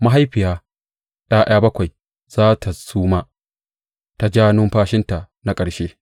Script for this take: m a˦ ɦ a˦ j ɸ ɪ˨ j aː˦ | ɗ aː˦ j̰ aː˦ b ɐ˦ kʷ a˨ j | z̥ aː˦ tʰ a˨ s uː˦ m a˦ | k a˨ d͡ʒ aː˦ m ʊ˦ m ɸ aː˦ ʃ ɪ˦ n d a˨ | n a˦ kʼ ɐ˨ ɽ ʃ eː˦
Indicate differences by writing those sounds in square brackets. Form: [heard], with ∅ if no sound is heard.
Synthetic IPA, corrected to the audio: m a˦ ɦ a˦ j ɸ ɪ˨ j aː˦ | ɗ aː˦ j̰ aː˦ b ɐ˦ kʷ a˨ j | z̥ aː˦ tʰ a˨ s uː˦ m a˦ | [t] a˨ d͡ʒ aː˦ [n] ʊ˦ m ɸ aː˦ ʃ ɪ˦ n [t] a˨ | n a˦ kʼ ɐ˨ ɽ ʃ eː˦